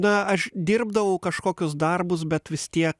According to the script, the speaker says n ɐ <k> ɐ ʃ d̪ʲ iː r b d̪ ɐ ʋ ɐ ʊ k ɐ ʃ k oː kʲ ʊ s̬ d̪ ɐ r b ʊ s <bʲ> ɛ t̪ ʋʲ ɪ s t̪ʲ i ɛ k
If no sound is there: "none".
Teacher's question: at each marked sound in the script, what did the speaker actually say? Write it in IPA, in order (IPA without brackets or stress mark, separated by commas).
none, bʲ